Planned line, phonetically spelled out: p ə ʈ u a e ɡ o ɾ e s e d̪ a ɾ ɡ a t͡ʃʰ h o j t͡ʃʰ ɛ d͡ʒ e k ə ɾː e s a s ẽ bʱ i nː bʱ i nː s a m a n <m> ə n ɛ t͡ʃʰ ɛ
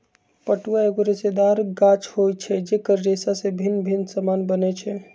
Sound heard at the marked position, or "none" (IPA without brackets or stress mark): b